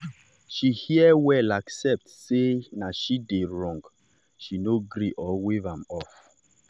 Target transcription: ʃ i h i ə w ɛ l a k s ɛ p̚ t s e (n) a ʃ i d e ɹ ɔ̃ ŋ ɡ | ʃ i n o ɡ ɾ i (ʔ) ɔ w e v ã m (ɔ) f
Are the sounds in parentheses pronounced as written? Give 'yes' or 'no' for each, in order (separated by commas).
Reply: yes, yes, yes